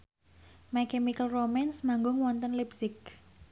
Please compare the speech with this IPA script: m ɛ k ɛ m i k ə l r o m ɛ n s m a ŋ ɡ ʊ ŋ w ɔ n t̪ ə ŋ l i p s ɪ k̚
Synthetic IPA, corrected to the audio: m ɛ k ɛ m i k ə l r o m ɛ n s m a ŋ ɡ ʊ ŋ w ɔ n t̪ ə n l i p s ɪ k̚